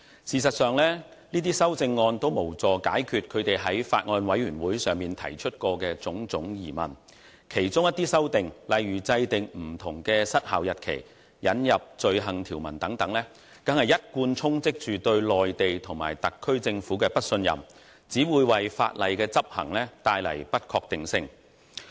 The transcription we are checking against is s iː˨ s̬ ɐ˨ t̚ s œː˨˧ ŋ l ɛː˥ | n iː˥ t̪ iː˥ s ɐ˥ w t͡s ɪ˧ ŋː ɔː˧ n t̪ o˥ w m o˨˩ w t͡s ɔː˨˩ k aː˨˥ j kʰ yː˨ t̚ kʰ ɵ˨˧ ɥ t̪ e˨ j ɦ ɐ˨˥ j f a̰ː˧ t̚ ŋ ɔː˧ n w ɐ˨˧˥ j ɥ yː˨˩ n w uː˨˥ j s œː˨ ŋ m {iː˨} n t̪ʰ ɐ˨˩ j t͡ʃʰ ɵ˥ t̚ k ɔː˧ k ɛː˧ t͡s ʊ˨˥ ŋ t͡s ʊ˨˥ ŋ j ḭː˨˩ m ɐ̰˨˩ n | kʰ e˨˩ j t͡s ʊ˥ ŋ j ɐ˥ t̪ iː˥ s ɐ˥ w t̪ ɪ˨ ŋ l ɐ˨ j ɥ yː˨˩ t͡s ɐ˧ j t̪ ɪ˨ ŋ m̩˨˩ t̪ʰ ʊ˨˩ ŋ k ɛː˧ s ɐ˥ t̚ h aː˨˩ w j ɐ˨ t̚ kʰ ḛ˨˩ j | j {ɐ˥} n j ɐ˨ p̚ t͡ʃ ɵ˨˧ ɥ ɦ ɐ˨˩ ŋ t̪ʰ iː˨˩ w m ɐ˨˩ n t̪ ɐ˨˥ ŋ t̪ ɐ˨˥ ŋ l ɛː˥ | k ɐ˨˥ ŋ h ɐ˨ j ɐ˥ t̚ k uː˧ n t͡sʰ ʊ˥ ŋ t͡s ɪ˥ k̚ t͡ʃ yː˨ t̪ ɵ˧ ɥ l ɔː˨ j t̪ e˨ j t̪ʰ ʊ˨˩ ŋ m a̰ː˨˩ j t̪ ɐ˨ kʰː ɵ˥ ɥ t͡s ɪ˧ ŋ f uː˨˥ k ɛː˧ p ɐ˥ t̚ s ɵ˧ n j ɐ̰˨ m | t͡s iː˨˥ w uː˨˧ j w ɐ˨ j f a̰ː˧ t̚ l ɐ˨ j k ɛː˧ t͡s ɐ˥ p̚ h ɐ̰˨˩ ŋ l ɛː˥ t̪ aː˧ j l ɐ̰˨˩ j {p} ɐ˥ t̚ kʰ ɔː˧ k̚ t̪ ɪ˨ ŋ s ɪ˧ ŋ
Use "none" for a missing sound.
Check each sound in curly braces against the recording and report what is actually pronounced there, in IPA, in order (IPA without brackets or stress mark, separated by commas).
iː˨, ɐ˨˥, p